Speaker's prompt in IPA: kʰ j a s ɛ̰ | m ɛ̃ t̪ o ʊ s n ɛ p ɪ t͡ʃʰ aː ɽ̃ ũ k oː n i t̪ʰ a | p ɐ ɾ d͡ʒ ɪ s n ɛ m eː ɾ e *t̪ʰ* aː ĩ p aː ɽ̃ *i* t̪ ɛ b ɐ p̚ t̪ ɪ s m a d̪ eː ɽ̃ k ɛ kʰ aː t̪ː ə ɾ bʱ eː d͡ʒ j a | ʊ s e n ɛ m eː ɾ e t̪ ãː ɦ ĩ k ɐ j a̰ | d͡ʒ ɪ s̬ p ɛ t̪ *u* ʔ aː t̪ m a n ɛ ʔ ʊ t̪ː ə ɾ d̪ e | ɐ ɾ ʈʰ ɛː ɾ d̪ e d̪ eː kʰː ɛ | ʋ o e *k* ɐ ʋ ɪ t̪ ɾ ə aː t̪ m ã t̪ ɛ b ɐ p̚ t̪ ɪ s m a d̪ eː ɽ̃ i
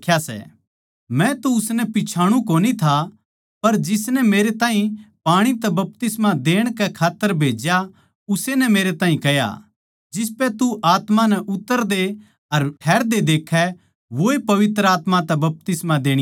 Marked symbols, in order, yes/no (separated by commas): no, yes, yes, no